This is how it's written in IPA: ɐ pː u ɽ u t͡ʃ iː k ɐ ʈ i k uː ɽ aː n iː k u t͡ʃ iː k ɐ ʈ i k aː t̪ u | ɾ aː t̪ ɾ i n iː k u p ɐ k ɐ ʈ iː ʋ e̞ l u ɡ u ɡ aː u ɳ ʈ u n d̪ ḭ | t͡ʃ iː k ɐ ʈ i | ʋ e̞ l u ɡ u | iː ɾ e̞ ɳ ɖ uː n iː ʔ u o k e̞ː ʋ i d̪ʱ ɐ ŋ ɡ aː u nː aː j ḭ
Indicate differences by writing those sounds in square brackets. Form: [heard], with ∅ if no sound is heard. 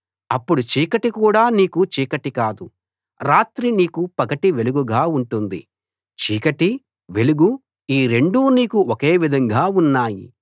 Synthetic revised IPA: ɐ pː u ɽ u t͡ʃ iː k ɐ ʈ i k uː ɽ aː n iː k u t͡ʃ iː k ɐ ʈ i k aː [d̪] u | ɾ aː t̪ ɾ i n iː k u p ɐ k ɐ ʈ [i] ʋ e̞ l u ɡ u ɡ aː u ɳ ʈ u n d̪ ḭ | t͡ʃ iː k ɐ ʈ i | ʋ e̞ l u ɡ u | iː ɾ e̞ ɳ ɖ uː n iː [k] u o k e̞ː ʋ i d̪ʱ ɐ ŋ ɡ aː u nː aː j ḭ